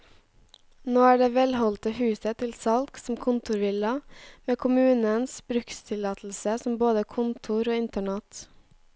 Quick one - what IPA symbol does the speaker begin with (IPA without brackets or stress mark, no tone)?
n